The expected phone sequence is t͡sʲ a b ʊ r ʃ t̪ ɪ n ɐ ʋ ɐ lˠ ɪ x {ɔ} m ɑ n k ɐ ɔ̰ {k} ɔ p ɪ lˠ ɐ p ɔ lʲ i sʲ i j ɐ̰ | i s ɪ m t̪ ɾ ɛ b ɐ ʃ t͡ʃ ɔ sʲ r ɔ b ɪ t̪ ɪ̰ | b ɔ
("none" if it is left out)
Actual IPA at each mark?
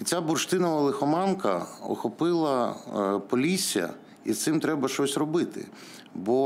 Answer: ɔ, x

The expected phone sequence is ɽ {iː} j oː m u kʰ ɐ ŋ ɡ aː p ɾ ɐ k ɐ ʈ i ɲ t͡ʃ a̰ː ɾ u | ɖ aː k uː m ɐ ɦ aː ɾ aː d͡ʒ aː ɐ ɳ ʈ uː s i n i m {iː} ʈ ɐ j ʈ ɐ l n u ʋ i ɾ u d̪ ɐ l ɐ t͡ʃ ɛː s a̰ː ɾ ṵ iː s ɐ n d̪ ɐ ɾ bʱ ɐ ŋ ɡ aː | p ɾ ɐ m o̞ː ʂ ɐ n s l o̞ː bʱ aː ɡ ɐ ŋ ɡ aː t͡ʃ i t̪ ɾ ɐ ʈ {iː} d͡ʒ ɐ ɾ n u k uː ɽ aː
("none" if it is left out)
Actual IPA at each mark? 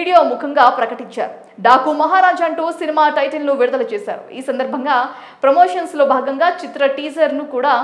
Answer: i, aː, iː

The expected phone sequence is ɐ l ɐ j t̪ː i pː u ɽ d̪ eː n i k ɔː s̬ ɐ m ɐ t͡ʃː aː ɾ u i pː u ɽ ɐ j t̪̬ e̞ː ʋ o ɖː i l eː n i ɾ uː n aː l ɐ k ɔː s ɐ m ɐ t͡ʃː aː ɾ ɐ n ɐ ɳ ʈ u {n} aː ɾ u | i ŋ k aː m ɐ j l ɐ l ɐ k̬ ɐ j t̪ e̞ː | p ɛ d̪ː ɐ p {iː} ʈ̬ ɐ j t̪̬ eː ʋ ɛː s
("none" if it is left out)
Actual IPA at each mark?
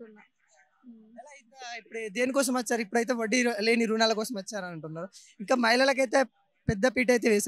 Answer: nː, iː

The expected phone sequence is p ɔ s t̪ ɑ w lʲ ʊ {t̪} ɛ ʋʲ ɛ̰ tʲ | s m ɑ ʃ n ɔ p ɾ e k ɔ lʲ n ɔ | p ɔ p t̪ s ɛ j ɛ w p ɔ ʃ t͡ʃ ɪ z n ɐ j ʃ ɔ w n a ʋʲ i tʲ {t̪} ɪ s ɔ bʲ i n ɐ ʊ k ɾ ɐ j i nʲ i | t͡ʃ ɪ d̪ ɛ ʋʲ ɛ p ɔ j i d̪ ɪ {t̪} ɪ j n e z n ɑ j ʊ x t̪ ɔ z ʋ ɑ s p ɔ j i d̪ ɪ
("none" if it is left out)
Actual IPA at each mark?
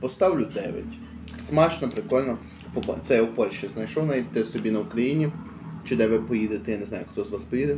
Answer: d̪, t̪, t̪

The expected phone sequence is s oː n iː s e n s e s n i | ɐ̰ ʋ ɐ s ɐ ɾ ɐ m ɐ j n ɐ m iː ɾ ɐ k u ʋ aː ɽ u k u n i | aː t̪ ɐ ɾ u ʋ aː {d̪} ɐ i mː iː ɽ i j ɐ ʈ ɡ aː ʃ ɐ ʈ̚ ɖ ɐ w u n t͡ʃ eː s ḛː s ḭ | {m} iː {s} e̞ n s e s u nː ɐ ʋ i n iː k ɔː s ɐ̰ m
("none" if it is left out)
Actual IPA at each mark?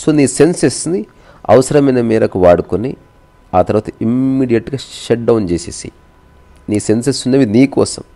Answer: t̪, n, s

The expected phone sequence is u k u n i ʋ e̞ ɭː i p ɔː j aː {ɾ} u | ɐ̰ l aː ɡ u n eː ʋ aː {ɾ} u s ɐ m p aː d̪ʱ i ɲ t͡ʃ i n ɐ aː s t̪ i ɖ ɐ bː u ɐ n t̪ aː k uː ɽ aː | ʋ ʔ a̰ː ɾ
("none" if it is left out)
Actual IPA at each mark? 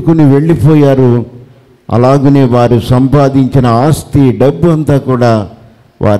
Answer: ɾ, ɾ

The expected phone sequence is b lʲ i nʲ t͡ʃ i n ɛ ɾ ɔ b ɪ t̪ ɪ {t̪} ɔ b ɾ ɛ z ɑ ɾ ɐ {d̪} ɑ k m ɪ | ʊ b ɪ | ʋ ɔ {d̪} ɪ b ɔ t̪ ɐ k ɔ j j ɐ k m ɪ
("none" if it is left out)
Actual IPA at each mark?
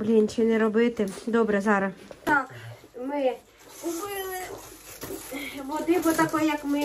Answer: d̪, t̪, d̪

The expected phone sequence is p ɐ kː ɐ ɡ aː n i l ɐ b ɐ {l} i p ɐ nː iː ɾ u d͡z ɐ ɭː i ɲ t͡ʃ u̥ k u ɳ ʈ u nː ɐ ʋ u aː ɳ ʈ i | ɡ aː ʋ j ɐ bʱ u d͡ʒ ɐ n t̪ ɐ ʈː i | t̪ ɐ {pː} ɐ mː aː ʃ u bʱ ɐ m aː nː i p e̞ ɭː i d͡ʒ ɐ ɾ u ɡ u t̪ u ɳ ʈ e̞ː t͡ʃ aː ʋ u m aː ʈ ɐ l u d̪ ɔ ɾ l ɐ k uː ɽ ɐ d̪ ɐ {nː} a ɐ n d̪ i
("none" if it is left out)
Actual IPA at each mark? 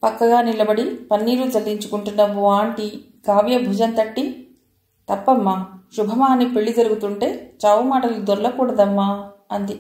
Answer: ɽ, pː, mː

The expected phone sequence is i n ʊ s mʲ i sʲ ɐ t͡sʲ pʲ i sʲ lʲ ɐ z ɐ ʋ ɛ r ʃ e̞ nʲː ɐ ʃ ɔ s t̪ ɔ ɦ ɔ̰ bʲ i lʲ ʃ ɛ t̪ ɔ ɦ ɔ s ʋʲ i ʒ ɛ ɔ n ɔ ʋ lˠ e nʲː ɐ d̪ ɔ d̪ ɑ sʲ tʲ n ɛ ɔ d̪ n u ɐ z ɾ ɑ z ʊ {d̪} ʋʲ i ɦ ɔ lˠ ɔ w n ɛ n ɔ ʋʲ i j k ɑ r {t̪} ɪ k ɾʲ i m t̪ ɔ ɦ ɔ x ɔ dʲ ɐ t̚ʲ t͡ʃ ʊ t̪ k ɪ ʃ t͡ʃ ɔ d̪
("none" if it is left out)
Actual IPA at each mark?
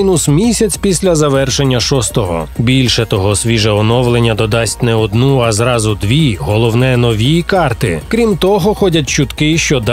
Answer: d̪, t̪

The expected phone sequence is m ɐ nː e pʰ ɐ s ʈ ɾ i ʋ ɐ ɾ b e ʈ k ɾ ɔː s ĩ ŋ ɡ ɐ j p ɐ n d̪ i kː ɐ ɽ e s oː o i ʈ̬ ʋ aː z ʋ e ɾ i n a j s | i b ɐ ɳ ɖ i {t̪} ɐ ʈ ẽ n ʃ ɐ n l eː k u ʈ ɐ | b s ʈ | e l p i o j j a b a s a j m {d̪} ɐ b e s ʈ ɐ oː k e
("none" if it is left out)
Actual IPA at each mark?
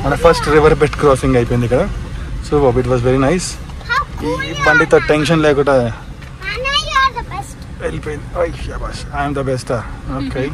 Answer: t̪, d̪

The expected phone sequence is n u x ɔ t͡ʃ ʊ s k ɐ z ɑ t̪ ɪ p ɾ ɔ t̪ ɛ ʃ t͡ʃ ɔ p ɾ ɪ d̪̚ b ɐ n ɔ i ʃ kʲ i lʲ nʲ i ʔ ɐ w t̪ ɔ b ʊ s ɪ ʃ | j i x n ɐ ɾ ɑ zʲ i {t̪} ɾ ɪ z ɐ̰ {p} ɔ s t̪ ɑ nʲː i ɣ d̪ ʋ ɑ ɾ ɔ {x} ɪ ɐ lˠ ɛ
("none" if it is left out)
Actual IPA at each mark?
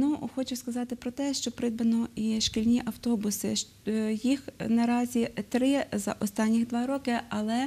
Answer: t̪, ʔ, k

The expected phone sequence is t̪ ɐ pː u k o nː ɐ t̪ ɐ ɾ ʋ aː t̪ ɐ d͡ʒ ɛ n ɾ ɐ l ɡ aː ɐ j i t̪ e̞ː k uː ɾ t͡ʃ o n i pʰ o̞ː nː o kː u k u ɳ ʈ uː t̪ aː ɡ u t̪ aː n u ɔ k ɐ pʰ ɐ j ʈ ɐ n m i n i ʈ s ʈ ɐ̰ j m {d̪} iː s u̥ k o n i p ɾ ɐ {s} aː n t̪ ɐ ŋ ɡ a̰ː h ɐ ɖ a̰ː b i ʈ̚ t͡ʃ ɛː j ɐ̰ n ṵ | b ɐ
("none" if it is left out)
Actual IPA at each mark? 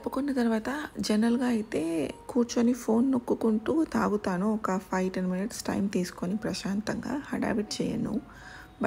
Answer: t̪, ʃ

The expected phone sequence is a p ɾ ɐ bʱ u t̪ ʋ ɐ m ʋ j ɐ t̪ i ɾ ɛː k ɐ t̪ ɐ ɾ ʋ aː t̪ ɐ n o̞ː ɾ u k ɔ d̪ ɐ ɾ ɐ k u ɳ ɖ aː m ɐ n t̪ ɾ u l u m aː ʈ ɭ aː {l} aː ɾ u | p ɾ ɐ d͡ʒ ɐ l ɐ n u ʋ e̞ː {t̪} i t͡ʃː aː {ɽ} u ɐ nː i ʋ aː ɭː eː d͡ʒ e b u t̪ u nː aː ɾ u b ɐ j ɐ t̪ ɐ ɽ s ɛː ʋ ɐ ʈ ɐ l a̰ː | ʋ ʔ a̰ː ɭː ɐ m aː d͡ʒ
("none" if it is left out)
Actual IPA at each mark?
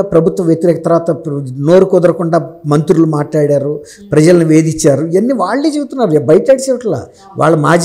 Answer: ɽ, d̪, ɾ

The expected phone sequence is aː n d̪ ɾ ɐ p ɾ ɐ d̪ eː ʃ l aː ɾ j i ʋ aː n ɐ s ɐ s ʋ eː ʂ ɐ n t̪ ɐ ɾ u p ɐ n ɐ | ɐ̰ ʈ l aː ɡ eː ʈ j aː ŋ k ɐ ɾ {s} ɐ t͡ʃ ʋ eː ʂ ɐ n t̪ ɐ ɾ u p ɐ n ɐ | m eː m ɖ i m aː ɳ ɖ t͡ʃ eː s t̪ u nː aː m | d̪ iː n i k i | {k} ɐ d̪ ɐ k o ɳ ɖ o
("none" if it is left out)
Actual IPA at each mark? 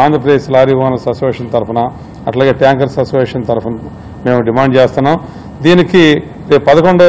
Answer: s, p

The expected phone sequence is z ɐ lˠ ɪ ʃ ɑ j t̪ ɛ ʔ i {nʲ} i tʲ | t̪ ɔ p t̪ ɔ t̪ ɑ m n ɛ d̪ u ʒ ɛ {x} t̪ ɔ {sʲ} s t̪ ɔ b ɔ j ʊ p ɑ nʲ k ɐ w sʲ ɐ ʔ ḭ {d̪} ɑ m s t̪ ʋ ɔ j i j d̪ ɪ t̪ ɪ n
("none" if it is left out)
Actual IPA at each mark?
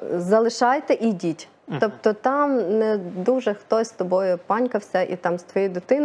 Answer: dʲ, x, sʲ, t̪

